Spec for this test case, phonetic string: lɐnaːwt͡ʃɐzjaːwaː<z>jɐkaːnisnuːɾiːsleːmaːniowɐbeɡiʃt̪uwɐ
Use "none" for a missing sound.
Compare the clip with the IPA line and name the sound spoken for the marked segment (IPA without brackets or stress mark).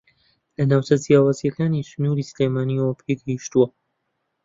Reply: z